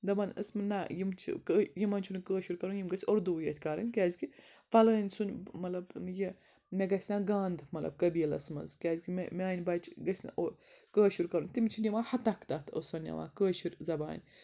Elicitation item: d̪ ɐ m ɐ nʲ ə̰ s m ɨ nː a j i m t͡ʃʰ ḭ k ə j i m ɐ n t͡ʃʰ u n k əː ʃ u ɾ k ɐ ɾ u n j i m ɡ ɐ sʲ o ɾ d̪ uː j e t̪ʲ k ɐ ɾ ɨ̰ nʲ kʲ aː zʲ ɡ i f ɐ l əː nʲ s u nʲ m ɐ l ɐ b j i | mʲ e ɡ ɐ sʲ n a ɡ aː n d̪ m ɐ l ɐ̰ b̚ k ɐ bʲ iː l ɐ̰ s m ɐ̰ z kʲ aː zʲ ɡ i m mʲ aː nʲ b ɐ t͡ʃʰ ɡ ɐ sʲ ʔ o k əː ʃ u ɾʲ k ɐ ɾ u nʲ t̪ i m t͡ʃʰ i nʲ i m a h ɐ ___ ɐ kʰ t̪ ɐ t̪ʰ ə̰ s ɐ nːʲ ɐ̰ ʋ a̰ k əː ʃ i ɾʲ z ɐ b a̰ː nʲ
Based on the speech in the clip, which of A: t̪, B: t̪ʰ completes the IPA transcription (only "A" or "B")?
A